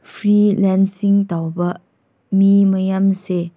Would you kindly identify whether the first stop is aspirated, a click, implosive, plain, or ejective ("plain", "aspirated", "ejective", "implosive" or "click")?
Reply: aspirated